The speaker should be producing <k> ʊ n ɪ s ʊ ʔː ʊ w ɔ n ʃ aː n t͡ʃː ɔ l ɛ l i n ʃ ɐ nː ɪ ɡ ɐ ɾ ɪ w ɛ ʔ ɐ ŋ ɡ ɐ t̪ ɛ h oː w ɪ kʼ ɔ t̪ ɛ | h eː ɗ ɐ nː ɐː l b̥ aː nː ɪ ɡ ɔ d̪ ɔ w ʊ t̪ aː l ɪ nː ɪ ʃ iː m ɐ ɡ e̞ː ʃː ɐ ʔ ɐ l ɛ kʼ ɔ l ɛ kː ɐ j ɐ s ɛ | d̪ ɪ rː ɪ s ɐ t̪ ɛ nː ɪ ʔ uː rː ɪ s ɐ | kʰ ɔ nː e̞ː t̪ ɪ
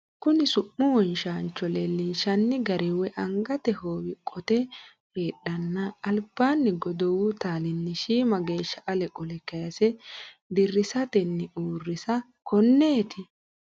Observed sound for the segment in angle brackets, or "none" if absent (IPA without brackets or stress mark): k